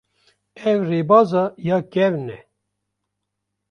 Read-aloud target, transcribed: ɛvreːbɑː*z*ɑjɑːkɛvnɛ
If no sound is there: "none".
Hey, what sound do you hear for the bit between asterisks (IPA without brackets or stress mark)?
z